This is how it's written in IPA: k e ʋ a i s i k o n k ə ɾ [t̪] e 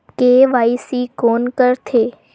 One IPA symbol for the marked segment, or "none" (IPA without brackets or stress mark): t̪ʰ